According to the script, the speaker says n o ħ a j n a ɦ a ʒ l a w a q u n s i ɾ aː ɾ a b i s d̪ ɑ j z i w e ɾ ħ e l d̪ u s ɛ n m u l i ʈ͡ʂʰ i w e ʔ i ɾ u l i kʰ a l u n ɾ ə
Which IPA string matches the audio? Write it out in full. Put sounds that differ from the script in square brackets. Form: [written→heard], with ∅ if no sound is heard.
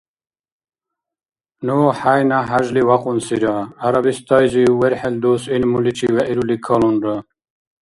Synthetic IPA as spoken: n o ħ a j n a ɦ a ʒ l [a→i] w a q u n s i ɾ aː ɾ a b i s [d̪→t̪] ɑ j z i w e ɾ ħ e l d̪ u s [ɛ→i] n m u l i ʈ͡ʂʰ i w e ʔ i ɾ u l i kʰ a l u n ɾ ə